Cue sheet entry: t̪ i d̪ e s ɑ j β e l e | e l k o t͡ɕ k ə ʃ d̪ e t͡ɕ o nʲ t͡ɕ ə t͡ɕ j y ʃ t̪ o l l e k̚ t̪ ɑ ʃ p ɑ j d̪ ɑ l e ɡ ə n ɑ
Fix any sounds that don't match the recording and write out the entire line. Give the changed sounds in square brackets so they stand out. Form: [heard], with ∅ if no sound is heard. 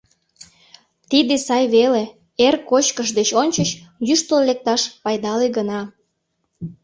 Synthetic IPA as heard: t̪ i d̪ e s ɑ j β e l e | e [r] k o t͡ɕ k ə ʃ d̪ e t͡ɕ o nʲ t͡ɕ ə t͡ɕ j y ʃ t̪ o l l e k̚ t̪ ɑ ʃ p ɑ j d̪ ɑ l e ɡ ə n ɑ